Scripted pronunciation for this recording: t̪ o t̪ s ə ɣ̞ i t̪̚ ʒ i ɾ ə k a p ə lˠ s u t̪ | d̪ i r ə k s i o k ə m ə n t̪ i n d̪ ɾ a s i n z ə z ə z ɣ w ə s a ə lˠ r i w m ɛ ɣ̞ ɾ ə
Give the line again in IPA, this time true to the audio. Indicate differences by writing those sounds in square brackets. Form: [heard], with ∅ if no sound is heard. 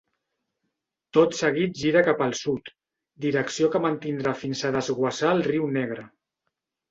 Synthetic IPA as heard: t̪ o t̪ s ə ɣ̞ i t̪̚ ʒ i ɾ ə k a p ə lˠ s u t̪ | d̪ i [ɾ] ə k s i o k ə m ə n t̪ i n d̪ ɾ a [f] i n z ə [ð] ə z ɣ w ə s a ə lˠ r i w [n] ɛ ɣ̞ ɾ ə